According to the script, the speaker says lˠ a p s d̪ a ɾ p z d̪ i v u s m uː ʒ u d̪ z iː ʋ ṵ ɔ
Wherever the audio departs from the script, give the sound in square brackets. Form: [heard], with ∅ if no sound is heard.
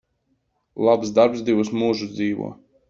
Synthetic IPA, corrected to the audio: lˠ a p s d̪ a ɾ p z d̪ i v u s m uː ʒ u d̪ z iː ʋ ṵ ɔ